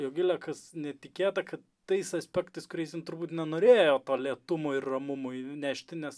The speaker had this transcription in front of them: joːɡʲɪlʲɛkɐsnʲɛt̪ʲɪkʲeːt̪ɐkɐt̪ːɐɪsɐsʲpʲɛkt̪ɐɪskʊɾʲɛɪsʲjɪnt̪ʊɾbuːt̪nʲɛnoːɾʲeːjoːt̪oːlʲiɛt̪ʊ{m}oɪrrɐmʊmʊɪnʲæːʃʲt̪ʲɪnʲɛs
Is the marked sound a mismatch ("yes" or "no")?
no